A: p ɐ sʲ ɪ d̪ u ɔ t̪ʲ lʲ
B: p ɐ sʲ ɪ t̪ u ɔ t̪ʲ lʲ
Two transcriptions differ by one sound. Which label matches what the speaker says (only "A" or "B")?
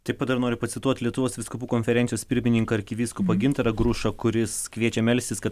B